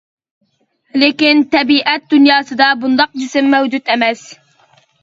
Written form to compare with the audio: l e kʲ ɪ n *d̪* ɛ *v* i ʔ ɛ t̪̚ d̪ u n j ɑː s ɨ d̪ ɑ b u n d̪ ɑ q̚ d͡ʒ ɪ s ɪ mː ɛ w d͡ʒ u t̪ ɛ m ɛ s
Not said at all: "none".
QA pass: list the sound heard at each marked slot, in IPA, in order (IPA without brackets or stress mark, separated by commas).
t̪, b